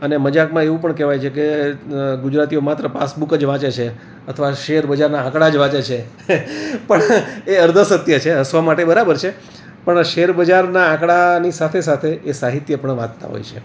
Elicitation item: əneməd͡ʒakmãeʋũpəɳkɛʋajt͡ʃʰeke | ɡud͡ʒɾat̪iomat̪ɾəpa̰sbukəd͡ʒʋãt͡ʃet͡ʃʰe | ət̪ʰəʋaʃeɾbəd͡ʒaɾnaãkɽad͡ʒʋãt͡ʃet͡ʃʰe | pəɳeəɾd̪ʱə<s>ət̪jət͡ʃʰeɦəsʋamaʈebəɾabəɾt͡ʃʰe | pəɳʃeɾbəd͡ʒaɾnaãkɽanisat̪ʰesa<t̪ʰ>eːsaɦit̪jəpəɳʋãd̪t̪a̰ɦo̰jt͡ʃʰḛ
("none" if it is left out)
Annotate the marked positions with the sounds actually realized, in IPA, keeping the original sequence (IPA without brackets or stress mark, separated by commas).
s, t̪ʰ